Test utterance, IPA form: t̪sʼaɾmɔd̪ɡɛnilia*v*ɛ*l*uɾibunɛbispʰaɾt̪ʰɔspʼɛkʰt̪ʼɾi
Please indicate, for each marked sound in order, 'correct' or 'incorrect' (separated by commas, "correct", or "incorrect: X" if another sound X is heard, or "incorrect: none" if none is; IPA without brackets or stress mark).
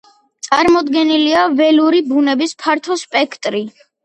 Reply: correct, correct